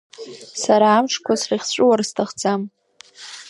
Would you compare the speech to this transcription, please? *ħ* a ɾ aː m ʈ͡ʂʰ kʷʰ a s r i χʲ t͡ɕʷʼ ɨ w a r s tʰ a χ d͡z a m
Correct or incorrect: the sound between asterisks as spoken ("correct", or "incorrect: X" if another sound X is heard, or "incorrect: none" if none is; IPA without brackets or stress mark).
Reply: incorrect: s